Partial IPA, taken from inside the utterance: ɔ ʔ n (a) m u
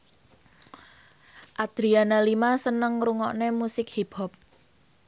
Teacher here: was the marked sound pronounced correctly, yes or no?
no